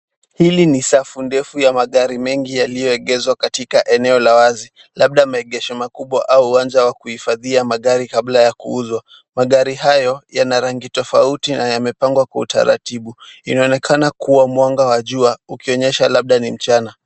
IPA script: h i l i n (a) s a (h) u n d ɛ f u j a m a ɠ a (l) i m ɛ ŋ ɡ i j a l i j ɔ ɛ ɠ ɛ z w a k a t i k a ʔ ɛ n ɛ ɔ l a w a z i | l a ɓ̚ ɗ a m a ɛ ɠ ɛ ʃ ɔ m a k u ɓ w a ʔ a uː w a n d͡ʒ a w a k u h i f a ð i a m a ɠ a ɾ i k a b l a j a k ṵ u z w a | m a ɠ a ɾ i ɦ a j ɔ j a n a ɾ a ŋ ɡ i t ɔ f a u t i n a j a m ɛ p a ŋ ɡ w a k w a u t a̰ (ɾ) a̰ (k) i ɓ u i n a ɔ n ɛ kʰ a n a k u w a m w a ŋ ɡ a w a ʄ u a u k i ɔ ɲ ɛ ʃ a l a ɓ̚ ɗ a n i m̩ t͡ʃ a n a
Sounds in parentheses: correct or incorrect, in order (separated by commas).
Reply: incorrect, incorrect, incorrect, correct, incorrect